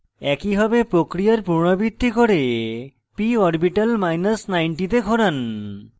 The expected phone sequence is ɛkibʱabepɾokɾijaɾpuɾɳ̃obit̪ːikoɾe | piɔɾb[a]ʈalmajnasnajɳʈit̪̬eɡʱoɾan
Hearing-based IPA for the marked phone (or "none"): i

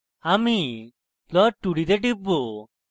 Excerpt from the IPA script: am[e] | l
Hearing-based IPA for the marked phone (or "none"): i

